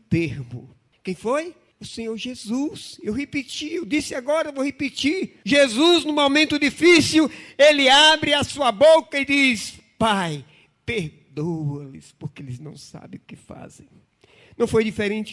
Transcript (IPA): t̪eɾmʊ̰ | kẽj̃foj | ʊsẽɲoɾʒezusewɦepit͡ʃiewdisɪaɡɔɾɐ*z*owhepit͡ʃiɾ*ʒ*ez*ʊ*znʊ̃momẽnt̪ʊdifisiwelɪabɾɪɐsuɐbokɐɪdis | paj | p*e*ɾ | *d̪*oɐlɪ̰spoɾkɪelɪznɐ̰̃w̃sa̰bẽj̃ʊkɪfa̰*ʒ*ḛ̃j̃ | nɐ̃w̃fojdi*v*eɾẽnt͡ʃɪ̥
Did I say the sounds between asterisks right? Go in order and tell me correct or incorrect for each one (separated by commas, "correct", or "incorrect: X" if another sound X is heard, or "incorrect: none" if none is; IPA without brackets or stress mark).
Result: incorrect: v, correct, incorrect: u, correct, correct, incorrect: z, incorrect: f